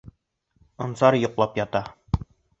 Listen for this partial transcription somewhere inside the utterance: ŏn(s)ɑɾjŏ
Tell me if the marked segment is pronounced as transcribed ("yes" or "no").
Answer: yes